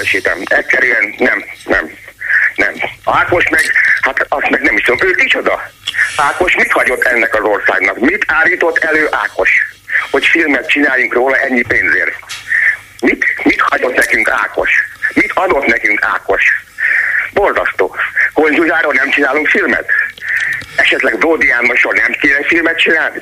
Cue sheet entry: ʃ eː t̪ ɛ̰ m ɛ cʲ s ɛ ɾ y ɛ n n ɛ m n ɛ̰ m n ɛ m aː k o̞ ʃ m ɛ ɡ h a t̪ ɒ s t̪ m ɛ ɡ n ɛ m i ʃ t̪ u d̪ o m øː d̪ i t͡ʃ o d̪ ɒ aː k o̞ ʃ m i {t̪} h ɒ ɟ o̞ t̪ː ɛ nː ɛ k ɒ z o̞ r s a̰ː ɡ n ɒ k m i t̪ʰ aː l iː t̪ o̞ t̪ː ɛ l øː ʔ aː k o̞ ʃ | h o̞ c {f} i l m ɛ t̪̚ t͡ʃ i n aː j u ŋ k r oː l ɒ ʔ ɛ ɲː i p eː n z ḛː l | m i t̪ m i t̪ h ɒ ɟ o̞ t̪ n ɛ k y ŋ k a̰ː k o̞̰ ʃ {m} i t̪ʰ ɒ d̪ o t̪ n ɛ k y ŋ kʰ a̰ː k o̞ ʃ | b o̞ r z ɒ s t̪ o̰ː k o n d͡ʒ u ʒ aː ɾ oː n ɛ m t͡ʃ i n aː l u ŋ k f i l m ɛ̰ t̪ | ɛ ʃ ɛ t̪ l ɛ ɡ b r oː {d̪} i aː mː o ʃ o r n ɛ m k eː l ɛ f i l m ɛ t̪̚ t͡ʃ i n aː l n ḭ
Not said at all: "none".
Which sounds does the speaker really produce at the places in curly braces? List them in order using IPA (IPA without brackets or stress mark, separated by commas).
t̪, f, m, d̪